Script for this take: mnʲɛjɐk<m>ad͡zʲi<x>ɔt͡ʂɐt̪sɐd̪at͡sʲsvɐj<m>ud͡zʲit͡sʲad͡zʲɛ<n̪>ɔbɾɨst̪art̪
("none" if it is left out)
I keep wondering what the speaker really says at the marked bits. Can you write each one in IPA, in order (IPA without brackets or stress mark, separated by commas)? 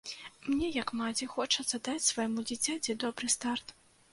m, x, m, d̪